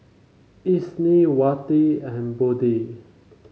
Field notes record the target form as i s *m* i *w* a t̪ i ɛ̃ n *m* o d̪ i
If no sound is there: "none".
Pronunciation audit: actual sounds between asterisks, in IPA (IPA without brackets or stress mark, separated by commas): n, w, b